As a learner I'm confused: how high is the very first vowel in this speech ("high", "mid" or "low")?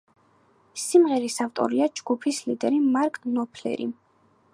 high